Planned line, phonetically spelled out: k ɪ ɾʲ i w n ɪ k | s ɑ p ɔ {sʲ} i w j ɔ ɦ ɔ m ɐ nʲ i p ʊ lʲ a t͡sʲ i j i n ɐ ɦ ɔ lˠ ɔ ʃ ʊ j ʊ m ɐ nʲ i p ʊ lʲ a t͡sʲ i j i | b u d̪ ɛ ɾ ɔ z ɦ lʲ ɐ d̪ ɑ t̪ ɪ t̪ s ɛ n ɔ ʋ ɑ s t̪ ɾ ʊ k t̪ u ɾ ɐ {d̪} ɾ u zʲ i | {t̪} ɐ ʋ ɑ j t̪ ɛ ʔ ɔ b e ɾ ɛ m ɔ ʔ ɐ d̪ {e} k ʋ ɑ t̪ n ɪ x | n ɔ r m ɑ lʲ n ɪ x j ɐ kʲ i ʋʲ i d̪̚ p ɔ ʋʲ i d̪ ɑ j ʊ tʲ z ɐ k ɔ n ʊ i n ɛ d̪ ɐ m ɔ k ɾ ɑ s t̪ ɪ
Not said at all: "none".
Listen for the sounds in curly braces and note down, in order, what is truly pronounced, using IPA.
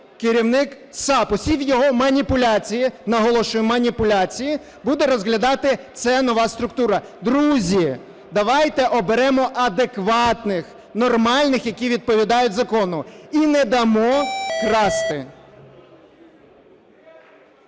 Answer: sʲ, d̪, d̪, e

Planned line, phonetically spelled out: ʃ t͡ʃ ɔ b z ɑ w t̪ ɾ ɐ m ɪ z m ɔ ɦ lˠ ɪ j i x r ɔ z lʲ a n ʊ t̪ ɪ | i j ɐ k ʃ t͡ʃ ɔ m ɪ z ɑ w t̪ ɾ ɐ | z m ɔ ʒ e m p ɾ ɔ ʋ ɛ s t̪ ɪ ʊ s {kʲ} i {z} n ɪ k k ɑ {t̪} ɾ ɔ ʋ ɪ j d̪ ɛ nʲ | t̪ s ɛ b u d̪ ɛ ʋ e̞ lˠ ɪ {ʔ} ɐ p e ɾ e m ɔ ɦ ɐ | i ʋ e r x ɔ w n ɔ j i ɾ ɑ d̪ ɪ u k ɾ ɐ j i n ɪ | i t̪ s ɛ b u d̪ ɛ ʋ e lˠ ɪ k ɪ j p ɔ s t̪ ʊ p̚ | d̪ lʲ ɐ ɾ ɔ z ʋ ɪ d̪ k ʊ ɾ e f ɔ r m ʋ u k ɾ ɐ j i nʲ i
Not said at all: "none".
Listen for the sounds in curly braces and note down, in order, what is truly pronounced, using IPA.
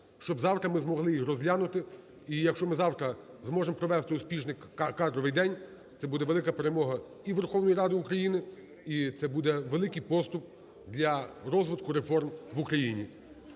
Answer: pʲ, ʒ, d̪, k

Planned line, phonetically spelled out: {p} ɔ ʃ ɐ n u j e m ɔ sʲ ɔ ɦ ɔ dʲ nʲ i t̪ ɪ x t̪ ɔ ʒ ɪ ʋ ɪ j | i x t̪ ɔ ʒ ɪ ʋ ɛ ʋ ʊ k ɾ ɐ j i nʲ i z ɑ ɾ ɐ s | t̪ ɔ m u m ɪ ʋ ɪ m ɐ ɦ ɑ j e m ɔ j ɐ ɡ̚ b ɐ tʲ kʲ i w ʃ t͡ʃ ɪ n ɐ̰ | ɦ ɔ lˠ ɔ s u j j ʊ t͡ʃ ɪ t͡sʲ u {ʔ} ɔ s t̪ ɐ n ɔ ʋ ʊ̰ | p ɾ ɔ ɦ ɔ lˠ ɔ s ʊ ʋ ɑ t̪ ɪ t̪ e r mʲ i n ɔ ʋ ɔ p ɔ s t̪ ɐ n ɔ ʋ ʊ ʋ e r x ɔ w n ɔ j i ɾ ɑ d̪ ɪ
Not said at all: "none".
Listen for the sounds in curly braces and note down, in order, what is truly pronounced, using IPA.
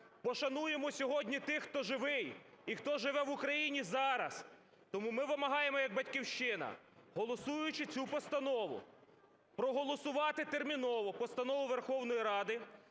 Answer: p, p

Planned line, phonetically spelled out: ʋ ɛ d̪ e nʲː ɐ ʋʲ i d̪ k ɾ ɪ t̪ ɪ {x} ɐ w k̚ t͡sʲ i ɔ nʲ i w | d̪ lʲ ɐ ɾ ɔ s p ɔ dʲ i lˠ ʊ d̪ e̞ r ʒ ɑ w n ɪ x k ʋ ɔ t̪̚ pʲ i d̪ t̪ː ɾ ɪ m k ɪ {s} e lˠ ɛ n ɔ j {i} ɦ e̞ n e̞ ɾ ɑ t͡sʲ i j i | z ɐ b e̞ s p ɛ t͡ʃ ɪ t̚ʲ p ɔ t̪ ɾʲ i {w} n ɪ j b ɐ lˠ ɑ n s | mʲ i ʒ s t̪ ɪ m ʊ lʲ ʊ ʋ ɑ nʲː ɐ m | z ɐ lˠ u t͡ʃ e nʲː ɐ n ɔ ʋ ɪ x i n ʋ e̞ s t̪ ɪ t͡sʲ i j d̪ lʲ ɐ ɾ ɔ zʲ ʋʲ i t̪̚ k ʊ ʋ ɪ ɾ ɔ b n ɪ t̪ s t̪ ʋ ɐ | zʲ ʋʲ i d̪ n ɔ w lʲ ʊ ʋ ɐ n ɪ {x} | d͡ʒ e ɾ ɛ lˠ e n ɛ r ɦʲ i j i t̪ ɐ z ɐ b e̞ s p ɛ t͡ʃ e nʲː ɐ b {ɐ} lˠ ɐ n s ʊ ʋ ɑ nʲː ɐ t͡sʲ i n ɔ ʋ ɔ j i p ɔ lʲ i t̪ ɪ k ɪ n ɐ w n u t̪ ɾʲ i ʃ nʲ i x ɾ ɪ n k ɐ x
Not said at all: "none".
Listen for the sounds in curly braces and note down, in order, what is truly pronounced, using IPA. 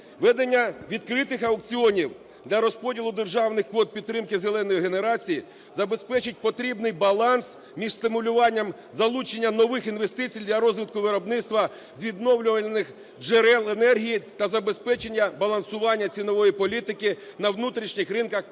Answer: x, z, i, b, x, ɐ

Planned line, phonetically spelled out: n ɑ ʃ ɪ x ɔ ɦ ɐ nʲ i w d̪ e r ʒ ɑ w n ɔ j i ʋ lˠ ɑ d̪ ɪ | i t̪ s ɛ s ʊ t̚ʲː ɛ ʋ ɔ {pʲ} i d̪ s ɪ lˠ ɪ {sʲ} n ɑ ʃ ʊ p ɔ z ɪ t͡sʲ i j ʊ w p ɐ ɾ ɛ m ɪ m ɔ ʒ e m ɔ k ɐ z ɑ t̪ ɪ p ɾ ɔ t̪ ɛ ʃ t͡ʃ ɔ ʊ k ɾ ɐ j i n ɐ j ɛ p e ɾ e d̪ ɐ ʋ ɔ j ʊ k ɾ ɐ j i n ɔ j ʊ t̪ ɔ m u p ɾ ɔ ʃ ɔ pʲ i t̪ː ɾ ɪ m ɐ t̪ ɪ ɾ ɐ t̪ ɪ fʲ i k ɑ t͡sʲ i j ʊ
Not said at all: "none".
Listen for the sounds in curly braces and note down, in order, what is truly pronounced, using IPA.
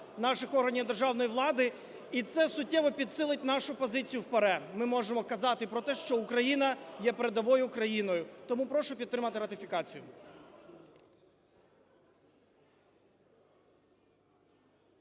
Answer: pʲ, tʲ

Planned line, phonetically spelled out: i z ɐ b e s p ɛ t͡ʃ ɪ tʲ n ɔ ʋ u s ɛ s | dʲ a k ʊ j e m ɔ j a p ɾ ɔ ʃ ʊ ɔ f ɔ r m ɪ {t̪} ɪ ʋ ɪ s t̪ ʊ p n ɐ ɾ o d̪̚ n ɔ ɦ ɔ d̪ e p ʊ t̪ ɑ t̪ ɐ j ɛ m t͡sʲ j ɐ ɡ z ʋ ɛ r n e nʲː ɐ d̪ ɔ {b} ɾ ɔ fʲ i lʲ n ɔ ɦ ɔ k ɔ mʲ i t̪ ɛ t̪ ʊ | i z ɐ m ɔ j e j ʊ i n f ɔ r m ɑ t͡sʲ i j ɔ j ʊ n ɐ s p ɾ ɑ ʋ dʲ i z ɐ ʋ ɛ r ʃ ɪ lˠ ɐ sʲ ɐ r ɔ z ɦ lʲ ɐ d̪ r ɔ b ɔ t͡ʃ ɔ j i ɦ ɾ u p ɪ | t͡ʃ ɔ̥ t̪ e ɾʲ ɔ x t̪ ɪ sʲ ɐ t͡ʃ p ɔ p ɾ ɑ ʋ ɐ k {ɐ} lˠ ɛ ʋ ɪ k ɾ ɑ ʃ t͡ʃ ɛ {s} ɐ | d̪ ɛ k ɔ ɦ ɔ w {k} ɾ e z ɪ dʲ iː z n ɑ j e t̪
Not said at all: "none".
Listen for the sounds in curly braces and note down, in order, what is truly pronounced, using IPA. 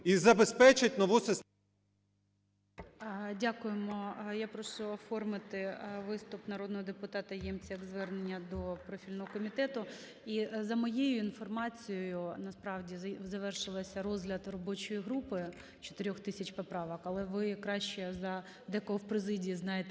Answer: t̪, p, ɐ, z, p

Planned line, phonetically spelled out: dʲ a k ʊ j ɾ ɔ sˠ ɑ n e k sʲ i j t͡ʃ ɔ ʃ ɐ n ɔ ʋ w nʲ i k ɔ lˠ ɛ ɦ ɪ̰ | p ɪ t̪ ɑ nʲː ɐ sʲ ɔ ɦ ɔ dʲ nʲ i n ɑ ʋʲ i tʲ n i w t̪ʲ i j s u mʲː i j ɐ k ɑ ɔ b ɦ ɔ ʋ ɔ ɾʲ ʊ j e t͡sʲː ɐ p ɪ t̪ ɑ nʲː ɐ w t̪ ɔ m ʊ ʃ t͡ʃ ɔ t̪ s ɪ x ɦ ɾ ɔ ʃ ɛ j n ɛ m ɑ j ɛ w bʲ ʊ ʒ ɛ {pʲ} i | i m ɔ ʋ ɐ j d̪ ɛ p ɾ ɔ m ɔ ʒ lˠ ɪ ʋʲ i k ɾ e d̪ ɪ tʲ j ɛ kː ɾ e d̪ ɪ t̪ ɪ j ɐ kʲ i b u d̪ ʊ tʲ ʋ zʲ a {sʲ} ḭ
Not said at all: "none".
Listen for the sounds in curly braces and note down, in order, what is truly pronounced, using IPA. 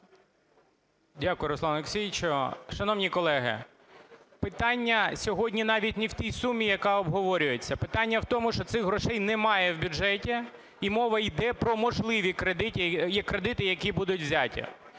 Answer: tʲ, tʲ

